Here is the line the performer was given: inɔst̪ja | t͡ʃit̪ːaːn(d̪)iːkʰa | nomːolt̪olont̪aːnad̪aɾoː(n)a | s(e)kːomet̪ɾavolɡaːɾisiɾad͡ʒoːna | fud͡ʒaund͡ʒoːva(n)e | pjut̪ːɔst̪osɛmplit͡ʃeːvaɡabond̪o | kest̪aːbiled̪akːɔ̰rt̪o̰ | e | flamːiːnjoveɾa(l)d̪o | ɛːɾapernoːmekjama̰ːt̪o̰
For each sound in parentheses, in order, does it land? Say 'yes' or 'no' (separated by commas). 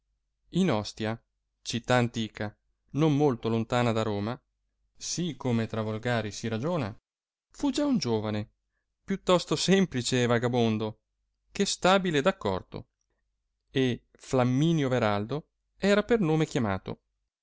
no, no, no, yes, yes